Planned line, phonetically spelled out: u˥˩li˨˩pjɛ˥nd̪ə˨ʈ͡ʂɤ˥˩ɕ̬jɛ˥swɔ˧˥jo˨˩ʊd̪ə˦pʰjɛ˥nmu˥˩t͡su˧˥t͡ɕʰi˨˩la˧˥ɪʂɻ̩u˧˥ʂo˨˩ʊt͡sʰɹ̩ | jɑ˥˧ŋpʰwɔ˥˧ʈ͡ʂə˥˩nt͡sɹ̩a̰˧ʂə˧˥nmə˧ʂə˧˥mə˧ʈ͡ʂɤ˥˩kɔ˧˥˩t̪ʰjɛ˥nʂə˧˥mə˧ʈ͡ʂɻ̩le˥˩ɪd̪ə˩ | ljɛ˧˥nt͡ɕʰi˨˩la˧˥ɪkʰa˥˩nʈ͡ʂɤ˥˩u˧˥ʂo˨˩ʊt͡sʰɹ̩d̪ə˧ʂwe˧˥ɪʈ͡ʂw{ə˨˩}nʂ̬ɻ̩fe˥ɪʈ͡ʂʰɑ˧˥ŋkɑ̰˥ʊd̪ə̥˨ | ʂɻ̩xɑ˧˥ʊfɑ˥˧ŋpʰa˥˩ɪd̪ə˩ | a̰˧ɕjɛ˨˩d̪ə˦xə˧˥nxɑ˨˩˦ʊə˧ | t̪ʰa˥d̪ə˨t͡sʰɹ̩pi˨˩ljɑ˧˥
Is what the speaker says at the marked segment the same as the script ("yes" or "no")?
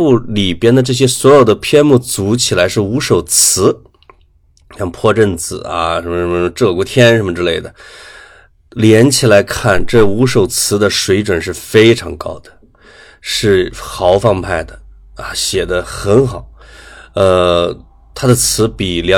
yes